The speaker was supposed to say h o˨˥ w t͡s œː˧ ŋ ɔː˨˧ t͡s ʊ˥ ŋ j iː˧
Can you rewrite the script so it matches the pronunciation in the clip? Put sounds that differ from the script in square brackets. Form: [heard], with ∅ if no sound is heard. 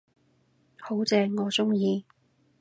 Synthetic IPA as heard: h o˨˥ w t͡s [ɛː˧] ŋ ɔː˨˧ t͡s ʊ˥ ŋ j iː˧